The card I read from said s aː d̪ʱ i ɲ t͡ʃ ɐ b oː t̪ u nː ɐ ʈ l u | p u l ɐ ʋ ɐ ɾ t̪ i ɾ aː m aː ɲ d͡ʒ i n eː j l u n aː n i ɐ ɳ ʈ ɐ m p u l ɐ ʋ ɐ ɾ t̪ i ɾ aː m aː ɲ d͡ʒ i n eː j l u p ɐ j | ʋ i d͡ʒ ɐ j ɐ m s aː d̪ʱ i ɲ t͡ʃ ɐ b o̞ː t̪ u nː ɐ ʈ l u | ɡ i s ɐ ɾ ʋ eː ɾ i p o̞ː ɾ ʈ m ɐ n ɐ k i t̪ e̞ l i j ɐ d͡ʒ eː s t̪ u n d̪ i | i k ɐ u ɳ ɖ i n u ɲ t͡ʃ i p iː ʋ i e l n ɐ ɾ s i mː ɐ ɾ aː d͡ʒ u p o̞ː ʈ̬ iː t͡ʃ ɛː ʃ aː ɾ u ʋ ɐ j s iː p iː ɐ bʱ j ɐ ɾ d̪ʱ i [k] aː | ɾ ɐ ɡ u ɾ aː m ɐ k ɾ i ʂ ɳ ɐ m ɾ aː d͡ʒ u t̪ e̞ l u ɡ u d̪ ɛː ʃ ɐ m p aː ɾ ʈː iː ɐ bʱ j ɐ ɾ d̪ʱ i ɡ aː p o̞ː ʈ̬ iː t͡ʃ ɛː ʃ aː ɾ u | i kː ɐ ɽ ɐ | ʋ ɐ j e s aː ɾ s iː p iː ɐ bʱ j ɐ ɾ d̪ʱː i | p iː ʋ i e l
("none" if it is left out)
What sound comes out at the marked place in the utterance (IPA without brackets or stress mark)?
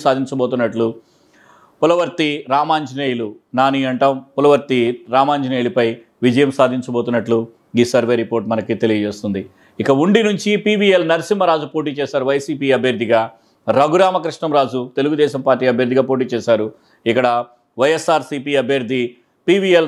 ɡ